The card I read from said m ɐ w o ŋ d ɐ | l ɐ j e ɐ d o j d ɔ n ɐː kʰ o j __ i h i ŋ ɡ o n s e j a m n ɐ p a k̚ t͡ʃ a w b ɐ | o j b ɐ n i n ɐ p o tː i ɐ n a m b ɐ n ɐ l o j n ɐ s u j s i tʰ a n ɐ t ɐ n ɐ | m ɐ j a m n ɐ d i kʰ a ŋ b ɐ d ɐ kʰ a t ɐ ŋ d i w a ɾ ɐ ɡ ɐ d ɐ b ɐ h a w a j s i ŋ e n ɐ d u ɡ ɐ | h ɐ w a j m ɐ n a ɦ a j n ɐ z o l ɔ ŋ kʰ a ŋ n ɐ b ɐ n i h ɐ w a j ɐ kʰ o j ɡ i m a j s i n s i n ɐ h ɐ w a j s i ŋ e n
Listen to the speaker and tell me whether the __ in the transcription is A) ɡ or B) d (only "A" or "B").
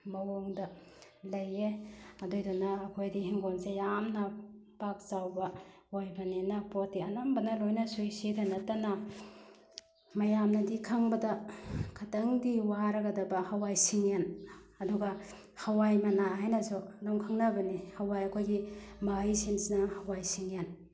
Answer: B